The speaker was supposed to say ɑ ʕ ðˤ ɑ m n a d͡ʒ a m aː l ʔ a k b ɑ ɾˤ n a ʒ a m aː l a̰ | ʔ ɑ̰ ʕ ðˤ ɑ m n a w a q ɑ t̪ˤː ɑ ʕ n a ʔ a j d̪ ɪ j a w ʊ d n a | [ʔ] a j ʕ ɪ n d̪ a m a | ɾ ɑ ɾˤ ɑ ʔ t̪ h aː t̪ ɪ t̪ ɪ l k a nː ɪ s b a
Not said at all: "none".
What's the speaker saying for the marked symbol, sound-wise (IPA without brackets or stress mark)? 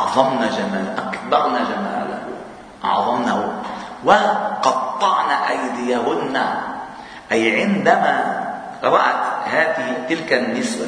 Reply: ʔ